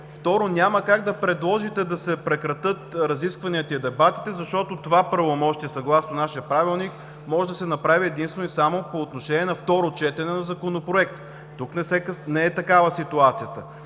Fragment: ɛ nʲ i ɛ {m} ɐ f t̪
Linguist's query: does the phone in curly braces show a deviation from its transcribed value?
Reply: yes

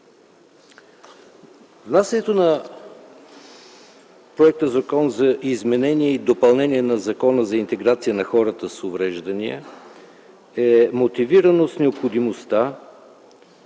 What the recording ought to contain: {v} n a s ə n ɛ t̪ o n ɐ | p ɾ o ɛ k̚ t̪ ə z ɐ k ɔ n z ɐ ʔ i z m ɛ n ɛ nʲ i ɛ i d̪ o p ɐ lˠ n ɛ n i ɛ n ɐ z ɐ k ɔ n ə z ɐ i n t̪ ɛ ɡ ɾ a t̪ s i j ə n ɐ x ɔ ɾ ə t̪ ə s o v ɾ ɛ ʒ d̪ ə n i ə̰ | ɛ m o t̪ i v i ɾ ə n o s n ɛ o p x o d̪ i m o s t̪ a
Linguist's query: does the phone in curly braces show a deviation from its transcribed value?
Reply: no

